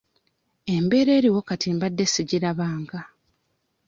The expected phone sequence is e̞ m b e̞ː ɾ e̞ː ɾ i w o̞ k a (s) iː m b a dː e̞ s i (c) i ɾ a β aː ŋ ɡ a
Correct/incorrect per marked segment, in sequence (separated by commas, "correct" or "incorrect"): incorrect, incorrect